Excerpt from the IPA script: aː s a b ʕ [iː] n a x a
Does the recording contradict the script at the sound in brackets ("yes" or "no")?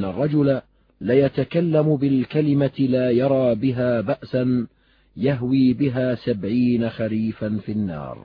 no